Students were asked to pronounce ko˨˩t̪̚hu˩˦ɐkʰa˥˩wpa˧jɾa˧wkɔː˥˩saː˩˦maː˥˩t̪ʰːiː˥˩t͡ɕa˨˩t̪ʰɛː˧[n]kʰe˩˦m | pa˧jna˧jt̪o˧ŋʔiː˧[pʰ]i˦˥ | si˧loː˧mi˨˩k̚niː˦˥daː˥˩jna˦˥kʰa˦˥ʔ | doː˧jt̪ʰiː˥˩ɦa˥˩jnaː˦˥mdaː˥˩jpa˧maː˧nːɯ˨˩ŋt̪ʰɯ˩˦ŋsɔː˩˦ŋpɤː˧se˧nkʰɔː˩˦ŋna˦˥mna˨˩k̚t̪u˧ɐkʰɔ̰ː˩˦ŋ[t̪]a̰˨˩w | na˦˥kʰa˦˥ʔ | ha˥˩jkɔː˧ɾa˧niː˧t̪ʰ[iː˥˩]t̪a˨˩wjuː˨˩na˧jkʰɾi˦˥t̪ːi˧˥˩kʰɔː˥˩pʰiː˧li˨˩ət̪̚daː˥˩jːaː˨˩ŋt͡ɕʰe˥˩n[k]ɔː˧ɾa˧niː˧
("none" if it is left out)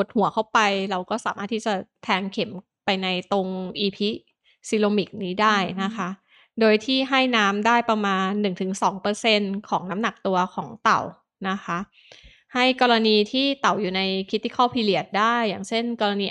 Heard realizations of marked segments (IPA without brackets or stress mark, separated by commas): ŋ, pʰ, t̪, iː˥˩, k